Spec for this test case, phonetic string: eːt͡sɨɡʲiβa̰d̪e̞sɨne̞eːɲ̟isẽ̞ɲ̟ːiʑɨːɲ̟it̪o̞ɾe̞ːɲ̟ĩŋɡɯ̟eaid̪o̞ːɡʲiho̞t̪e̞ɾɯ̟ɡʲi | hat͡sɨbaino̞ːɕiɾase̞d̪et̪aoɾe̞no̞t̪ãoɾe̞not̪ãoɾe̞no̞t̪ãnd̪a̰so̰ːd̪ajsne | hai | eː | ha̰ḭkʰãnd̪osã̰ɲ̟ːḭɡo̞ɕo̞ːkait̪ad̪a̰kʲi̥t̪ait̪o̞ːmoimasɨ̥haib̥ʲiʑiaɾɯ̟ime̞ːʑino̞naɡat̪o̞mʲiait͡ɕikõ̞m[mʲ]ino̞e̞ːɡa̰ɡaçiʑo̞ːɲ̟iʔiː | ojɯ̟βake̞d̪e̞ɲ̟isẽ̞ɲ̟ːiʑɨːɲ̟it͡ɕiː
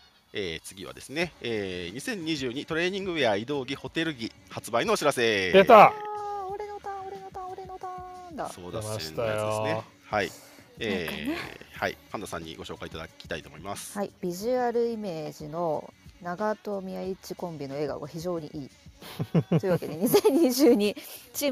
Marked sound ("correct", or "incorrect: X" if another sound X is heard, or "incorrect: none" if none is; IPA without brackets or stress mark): incorrect: bʲ